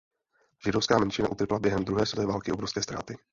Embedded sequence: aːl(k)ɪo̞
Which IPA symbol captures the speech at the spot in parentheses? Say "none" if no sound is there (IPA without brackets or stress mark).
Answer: k